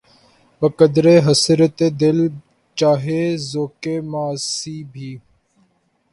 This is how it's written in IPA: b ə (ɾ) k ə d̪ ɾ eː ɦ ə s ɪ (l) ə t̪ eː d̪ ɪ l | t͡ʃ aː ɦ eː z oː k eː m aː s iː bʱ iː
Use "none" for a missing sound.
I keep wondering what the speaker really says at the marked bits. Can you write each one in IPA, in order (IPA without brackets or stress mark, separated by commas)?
none, ɾ